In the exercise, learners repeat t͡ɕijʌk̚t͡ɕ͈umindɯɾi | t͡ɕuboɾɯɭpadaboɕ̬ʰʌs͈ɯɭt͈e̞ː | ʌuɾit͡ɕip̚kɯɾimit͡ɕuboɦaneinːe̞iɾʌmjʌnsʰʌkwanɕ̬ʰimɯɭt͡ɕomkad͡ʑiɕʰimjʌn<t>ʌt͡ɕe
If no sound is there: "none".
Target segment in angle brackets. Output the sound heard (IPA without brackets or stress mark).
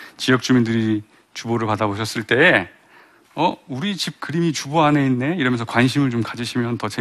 t